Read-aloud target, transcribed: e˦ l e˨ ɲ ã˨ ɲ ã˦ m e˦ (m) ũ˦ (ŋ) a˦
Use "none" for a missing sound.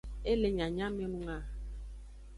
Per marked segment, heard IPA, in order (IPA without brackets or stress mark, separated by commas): n, ŋ